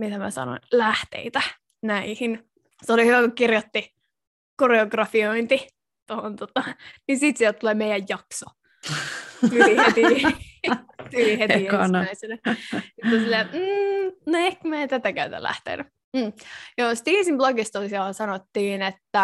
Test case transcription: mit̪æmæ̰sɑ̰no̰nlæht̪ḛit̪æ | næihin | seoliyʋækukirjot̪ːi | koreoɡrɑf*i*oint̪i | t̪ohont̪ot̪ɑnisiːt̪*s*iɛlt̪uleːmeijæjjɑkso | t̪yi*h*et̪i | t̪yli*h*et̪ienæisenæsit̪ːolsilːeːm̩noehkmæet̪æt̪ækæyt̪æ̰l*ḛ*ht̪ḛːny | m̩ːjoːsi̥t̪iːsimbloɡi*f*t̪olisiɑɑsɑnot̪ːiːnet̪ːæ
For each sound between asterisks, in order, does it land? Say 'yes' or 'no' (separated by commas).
yes, yes, yes, yes, no, no